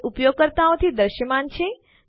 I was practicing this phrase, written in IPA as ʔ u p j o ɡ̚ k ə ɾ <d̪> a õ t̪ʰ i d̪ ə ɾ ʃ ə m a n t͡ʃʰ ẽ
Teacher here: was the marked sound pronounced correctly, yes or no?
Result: no